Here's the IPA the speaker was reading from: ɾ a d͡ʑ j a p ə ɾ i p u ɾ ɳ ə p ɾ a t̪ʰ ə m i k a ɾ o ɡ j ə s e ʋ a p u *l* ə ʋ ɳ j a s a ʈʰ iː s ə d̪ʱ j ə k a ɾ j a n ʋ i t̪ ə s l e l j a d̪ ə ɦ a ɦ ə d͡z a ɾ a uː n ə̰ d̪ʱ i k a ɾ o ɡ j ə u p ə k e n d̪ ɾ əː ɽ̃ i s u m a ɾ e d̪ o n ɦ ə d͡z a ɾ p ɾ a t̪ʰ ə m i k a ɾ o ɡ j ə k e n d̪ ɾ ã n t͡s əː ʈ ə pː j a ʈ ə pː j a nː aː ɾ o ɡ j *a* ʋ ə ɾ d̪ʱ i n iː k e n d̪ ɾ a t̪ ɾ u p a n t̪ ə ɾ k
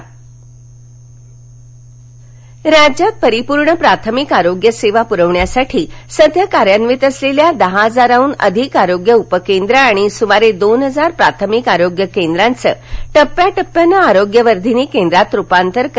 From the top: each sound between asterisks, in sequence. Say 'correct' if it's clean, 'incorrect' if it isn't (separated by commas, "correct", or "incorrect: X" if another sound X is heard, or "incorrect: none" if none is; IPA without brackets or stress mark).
incorrect: ɾ, incorrect: ə